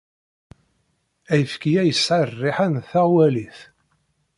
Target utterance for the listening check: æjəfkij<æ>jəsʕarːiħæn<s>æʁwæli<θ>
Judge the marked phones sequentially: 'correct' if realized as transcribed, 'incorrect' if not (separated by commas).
correct, incorrect, correct